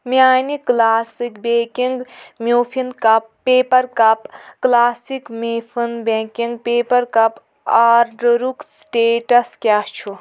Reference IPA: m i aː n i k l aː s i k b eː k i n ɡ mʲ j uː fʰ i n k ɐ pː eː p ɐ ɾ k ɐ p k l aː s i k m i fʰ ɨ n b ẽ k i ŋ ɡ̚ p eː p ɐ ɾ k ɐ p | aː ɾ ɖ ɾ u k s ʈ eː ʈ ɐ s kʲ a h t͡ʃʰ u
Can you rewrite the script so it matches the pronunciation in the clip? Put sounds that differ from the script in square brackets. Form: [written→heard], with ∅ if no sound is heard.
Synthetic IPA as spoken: m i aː n i k l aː s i k b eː k i [n→ŋ] ɡ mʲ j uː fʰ i n k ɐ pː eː p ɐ ɾ k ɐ p k l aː s i k m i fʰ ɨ n b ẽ k i ŋ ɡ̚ p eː p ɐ ɾ k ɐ p | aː ɾ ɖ ɾ u k s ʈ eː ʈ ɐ s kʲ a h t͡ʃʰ u